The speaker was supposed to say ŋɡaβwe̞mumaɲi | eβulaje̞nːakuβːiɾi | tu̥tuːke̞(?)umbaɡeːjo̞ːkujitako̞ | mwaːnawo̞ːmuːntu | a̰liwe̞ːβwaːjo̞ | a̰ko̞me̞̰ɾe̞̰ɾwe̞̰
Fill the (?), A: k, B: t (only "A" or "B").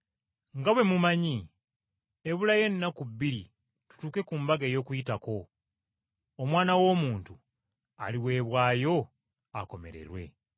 A